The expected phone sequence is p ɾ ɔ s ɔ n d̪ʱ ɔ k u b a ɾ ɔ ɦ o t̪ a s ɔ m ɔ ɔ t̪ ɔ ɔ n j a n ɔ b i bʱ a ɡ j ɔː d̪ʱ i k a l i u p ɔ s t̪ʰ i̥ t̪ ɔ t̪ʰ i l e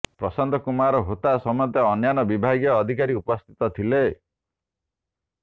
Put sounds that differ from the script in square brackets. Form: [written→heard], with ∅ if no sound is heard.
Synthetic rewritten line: p ɾ ɔ s ɔ n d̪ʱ ɔ k u [b→m] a ɾ ɔ ɦ o t̪ a s ɔ m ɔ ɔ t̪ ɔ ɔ n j a n ɔ b i bʱ a ɡ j ɔː d̪ʱ i k a [l→ɾ] i u p ɔ s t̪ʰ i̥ t̪ ɔ t̪ʰ i l e